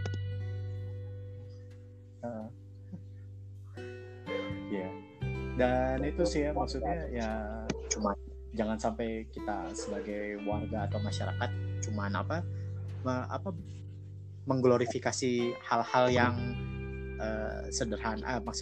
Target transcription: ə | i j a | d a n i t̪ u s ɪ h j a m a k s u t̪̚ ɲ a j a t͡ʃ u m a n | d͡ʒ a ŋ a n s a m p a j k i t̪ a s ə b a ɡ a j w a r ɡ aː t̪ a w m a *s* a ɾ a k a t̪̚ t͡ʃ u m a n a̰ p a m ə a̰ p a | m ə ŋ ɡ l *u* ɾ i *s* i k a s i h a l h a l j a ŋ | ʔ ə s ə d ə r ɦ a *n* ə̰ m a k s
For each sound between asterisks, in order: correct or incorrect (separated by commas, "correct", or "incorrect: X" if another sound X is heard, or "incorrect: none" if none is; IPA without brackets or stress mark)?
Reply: incorrect: ʃ, incorrect: o, incorrect: f, correct